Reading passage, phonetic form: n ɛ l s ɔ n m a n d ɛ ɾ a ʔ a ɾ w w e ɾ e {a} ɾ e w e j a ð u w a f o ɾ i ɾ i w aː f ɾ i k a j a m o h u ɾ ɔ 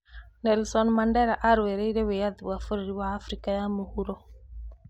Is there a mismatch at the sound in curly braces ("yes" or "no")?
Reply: yes